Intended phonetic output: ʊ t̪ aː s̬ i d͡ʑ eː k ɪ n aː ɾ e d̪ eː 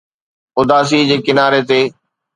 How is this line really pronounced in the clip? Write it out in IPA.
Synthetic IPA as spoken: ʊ d̪ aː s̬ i d͡ʑ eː k ɪ n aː ɾ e t̪ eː